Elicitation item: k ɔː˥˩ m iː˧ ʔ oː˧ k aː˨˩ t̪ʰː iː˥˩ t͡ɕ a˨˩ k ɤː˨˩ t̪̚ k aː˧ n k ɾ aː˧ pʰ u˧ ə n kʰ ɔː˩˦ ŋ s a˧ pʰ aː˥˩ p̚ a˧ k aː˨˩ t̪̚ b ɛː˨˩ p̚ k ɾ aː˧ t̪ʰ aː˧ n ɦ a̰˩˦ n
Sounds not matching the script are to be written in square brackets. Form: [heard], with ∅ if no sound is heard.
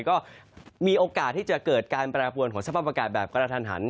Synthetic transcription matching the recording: k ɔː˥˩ m iː˧ ʔ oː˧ k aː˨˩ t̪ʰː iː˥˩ t͡ɕ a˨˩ k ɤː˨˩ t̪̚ k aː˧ n [p] ɾ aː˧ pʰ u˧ ə n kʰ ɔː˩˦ ŋ s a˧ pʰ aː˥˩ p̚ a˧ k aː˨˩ t̪̚ b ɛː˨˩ p̚ k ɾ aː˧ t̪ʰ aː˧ n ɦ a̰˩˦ n